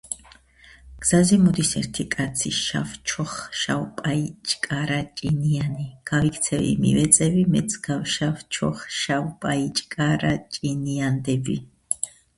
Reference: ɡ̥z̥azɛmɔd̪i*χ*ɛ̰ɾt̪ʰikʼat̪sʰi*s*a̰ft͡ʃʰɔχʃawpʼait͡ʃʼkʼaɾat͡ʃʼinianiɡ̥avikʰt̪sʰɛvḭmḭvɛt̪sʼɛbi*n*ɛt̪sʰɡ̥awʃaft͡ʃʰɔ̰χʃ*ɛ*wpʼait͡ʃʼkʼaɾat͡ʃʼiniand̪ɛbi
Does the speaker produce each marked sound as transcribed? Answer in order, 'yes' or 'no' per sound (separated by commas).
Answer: no, no, no, no